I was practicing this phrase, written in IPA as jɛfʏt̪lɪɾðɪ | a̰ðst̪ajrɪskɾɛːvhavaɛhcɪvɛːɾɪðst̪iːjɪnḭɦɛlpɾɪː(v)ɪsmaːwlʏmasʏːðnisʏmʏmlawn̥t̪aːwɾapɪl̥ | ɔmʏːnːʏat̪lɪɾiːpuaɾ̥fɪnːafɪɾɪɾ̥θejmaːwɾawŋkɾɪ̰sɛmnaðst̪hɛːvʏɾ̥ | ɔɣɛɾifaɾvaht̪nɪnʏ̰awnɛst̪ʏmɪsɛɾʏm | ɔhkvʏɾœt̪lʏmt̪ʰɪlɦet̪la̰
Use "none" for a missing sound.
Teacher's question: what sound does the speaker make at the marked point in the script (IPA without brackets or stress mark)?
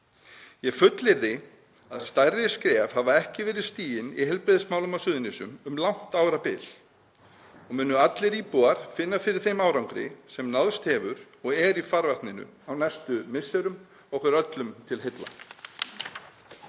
ð